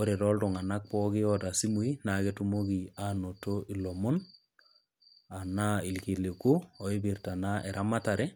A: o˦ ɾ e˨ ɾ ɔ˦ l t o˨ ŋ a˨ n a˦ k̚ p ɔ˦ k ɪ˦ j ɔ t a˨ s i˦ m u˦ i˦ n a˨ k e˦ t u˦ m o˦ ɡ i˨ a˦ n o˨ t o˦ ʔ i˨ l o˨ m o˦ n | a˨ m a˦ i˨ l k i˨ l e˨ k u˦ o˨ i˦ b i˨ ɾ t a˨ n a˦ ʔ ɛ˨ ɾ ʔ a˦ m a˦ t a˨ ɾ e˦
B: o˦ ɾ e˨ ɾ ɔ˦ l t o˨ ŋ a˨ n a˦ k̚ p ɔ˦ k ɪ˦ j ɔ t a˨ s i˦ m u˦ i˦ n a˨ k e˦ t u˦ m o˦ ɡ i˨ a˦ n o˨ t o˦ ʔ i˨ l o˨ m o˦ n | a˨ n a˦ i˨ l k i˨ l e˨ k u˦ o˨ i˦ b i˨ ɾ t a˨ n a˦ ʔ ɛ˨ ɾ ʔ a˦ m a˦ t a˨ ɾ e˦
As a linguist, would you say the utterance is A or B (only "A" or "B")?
B